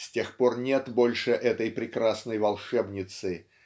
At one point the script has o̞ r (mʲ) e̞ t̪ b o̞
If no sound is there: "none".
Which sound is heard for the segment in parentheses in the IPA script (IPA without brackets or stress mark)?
nʲ